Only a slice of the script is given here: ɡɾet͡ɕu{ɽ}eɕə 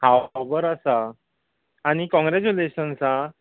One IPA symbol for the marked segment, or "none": l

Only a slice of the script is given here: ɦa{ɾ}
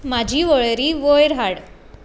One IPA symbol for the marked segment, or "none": ɽ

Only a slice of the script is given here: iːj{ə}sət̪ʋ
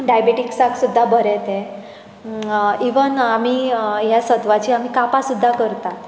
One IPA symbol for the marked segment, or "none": a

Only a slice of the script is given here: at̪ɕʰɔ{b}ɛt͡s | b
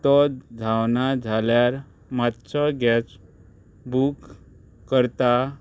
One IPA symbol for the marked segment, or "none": ɡ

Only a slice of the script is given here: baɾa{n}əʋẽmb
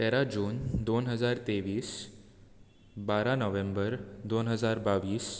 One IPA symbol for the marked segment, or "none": n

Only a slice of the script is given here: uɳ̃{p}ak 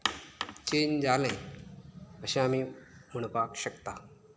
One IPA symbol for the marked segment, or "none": p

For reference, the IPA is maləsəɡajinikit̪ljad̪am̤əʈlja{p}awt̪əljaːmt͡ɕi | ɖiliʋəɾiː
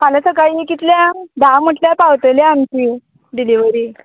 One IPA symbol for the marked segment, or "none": p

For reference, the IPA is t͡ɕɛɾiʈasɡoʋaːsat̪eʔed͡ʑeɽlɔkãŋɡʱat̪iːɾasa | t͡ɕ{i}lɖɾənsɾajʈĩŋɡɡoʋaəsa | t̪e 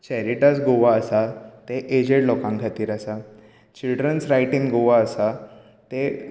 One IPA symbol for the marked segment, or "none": i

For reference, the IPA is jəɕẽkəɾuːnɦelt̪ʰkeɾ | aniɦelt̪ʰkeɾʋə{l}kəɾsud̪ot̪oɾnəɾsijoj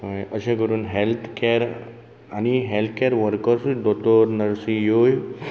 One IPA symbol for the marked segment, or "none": ɾ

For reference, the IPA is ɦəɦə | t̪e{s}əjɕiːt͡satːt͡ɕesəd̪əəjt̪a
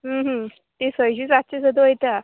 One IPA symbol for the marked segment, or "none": s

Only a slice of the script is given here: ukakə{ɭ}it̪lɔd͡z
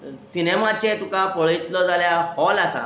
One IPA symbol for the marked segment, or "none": ɭ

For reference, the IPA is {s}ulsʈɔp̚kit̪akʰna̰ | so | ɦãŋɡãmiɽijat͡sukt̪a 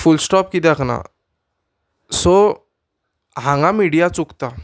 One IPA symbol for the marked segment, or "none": f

